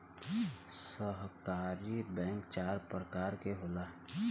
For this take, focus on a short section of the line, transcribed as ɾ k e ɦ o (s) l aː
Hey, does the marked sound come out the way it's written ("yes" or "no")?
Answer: no